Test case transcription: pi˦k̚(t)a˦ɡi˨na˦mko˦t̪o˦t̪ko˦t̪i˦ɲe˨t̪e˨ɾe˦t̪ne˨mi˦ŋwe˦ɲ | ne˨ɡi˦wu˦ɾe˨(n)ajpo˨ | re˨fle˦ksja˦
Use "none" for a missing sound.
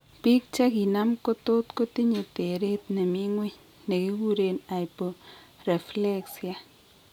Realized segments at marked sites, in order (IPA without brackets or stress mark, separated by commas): t͡ʃ, n